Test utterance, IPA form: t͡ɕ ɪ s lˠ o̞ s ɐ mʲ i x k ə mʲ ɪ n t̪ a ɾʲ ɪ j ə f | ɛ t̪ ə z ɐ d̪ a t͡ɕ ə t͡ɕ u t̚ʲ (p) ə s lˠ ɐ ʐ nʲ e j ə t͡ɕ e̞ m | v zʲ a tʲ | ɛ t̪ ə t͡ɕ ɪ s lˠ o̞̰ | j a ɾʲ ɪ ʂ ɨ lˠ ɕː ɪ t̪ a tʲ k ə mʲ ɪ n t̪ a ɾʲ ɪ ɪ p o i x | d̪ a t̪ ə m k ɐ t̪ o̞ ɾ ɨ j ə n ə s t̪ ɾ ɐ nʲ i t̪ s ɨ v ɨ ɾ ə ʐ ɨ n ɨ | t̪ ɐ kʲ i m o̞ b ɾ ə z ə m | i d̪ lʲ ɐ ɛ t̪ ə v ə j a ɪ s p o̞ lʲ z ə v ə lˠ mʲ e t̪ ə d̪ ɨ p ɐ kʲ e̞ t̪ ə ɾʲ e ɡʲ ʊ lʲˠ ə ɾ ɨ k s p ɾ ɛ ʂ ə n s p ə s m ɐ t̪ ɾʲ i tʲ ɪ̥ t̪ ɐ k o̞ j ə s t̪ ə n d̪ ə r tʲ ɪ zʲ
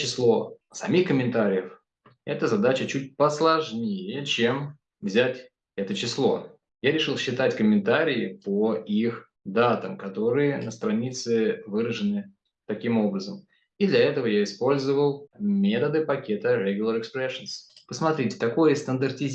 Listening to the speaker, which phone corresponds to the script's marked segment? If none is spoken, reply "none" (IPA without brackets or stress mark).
p